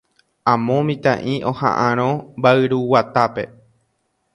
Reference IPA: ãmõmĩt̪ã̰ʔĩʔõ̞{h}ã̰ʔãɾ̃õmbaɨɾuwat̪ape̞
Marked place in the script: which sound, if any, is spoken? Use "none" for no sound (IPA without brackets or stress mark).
h